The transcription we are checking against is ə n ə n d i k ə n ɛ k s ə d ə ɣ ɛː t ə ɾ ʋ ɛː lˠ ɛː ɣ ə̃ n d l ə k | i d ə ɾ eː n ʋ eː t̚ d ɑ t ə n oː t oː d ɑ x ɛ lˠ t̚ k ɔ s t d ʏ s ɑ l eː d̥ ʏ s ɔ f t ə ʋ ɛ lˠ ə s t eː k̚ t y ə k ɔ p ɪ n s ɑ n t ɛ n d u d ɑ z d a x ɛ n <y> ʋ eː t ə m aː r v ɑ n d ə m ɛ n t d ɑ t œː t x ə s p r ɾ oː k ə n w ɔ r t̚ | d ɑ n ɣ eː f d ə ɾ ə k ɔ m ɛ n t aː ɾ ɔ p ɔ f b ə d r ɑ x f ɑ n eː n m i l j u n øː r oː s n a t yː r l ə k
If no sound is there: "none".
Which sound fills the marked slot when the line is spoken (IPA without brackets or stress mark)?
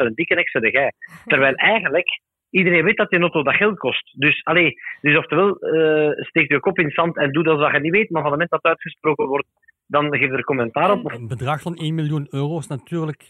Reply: i